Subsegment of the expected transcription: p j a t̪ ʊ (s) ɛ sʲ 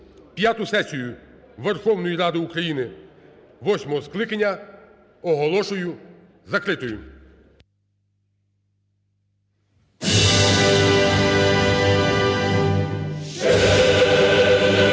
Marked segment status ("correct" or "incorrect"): correct